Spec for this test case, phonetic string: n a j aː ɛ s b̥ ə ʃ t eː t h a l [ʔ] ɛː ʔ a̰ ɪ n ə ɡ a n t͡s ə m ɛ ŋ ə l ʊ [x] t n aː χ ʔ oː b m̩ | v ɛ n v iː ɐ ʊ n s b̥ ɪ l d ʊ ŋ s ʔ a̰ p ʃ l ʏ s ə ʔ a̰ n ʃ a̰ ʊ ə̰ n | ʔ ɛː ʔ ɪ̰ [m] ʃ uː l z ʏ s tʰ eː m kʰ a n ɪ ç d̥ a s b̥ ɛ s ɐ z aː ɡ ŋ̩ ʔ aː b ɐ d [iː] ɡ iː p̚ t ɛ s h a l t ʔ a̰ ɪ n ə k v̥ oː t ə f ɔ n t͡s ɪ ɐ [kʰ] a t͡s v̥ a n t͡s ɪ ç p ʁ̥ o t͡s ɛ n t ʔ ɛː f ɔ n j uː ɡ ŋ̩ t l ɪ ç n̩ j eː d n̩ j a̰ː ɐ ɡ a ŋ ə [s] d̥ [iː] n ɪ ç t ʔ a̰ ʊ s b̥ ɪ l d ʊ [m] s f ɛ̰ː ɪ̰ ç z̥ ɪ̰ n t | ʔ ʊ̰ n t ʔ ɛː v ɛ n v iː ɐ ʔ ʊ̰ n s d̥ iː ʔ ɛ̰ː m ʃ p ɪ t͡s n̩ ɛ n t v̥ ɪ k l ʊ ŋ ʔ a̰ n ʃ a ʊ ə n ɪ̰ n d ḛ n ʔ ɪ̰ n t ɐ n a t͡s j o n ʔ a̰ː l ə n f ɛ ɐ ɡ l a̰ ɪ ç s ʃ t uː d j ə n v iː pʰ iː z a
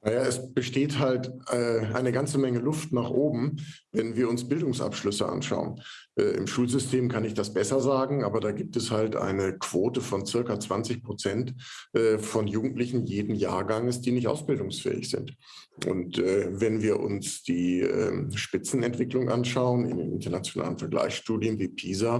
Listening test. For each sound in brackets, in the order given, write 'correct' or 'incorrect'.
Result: incorrect, incorrect, correct, incorrect, incorrect, correct, correct, incorrect

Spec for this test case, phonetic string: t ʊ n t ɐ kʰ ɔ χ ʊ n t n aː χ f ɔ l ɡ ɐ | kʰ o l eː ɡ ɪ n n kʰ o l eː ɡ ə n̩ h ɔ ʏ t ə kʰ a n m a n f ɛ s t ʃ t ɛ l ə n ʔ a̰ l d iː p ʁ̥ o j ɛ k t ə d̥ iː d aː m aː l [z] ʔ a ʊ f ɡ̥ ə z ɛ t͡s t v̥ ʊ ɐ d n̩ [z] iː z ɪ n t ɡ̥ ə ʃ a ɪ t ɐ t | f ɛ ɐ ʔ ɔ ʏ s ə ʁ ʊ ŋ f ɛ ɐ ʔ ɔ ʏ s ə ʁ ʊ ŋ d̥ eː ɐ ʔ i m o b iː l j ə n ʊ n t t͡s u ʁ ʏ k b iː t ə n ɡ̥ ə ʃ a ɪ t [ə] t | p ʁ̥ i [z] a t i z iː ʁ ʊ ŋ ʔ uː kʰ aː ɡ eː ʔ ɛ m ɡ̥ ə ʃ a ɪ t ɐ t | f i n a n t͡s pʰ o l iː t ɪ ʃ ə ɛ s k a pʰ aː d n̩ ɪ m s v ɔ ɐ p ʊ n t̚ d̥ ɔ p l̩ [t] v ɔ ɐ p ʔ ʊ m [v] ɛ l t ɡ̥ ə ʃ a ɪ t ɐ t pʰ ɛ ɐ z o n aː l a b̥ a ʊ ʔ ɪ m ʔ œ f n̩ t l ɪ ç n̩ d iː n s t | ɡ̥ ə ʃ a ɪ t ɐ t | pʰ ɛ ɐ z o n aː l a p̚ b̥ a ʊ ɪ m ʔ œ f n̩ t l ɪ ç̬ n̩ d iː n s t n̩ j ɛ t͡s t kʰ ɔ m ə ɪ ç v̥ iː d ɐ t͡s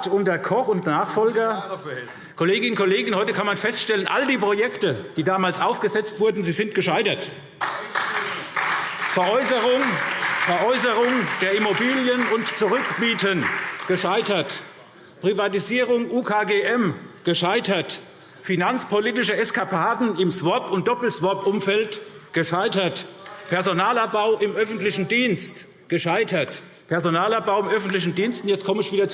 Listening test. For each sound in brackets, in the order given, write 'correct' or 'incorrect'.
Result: incorrect, correct, incorrect, incorrect, incorrect, incorrect

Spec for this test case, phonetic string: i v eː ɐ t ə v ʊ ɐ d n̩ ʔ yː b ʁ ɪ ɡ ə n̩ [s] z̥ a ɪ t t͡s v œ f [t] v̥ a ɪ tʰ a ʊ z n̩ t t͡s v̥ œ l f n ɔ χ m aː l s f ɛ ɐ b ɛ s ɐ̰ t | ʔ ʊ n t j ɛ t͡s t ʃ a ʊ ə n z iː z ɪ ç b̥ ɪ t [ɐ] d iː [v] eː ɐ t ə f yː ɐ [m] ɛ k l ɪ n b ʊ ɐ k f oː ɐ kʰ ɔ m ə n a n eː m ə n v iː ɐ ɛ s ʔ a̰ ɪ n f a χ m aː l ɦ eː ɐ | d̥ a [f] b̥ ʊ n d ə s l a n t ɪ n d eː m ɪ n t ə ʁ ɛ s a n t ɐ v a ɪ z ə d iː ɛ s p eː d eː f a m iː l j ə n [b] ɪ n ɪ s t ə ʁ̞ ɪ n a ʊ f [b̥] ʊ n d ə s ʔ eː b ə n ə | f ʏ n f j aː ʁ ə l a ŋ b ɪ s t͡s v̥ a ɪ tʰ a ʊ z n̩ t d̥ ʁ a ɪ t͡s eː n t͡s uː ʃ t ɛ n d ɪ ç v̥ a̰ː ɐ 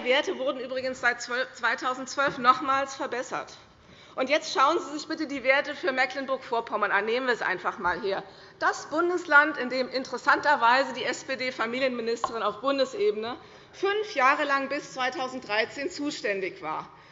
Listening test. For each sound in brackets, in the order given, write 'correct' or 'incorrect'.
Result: correct, incorrect, incorrect, correct, correct, incorrect, incorrect, correct

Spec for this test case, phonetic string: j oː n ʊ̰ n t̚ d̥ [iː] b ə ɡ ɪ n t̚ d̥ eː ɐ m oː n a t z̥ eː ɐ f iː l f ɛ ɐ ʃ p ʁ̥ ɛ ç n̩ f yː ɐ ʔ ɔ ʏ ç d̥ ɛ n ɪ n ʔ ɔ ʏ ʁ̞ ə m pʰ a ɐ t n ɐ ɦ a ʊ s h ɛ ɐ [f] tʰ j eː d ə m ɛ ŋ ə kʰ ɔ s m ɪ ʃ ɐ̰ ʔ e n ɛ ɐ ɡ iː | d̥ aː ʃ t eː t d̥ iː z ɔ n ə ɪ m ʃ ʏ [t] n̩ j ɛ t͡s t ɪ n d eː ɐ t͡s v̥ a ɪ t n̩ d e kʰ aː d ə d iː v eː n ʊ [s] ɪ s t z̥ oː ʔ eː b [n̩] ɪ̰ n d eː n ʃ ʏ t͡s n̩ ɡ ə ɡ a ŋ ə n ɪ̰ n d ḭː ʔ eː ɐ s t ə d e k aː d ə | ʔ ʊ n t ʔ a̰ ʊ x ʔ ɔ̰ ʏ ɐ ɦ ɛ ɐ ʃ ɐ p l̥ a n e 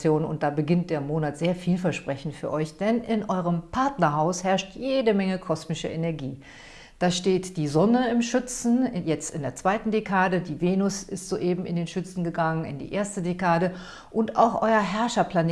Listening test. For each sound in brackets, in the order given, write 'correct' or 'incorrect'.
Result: incorrect, incorrect, incorrect, correct, incorrect

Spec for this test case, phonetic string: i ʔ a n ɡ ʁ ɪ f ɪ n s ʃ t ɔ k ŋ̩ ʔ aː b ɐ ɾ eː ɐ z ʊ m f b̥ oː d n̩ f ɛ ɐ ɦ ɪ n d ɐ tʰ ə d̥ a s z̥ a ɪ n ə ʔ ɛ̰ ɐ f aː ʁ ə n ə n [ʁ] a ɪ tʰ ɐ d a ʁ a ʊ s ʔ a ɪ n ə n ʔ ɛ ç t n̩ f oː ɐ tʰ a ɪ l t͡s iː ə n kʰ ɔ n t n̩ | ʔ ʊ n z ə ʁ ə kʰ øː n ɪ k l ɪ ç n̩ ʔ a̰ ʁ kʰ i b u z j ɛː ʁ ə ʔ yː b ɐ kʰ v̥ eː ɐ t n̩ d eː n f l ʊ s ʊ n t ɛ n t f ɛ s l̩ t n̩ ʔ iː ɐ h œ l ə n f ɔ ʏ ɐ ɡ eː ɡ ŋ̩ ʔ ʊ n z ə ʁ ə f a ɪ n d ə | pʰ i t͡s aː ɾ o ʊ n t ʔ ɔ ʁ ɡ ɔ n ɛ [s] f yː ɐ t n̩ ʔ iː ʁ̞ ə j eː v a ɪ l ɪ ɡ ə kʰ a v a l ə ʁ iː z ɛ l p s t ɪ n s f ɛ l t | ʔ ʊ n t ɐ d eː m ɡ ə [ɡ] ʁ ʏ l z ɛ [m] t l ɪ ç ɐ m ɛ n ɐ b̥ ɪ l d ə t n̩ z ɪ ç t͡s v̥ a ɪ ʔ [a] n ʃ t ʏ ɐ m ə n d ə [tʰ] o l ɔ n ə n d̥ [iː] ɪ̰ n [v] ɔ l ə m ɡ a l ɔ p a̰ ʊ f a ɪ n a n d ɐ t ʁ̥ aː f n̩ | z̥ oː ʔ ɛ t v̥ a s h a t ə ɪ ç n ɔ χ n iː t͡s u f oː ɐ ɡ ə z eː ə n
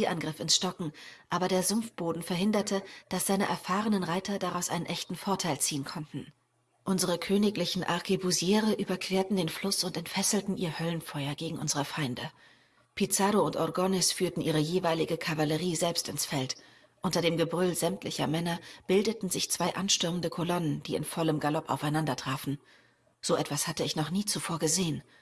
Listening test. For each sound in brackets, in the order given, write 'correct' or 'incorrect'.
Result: correct, correct, incorrect, correct, correct, incorrect, correct, incorrect

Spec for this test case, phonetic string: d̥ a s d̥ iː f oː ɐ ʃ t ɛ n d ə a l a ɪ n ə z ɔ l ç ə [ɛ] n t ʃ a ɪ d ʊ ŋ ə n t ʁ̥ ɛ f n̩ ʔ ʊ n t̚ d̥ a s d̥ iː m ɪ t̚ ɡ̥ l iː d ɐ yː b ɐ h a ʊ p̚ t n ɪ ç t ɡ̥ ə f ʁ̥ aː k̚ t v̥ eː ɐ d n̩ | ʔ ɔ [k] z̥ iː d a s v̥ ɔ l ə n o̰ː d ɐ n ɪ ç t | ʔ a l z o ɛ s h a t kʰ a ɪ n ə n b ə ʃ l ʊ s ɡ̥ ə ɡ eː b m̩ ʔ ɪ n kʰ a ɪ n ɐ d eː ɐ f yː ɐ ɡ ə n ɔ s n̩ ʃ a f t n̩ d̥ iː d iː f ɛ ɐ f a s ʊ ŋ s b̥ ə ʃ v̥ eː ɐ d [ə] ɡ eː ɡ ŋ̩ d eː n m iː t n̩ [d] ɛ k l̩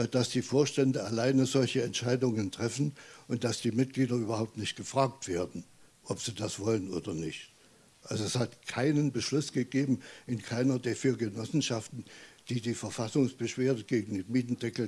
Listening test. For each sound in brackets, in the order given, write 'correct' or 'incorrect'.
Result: correct, incorrect, correct, correct

